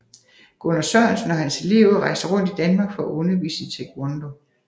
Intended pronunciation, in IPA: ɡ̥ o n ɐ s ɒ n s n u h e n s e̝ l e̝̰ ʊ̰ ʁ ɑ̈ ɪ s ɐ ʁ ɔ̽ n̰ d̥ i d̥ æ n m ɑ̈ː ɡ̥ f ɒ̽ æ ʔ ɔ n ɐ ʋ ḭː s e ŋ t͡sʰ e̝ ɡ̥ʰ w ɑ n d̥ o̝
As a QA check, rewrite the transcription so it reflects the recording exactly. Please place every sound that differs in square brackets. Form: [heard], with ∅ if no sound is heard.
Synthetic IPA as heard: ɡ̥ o n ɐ s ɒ n s n [ɒ] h [æ] n s e̝ l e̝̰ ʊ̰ ʁ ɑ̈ ɪ s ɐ ʁ ɔ̽ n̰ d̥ i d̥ æ n m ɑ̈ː ɡ̥ f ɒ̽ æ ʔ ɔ n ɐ ʋ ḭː s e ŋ t͡sʰ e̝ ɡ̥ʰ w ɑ n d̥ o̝